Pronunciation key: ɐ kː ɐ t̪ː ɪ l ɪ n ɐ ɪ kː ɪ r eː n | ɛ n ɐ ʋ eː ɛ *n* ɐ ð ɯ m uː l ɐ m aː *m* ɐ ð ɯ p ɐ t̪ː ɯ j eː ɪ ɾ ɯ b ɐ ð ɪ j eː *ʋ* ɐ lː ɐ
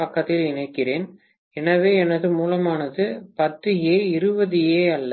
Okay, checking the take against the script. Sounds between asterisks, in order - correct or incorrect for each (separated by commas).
correct, incorrect, incorrect